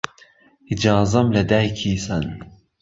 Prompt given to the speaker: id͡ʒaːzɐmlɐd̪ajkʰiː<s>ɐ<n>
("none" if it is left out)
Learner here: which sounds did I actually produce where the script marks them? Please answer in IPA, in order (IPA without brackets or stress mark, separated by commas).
s, n